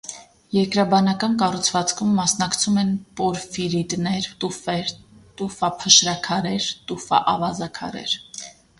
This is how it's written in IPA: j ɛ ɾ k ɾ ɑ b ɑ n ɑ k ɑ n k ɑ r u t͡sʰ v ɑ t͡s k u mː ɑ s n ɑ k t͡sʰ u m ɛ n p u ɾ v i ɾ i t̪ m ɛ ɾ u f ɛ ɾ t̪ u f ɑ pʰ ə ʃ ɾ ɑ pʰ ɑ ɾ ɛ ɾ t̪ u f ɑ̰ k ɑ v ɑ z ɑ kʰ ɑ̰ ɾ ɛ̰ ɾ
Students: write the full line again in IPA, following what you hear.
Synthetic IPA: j ɛ ɾ k ɾ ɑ b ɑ n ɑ k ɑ n k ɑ r u t͡sʰ v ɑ t͡s kʰ u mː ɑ s n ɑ k t͡sʰ u m ɛ n p ɔ ɾ f i ɾ i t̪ n ɛ ɾ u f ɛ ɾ t̪ u f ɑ pʰ ə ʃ ɾ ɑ kʰ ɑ ɾ ɛ ɾ t̪ u f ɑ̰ ʔ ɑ v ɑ z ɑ kʰ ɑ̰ ɾ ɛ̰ ɾ